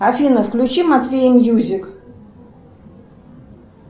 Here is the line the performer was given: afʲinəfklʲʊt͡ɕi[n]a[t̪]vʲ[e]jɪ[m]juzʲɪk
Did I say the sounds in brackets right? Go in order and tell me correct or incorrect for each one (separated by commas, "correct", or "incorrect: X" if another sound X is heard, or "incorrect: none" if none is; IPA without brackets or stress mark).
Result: incorrect: m, correct, correct, correct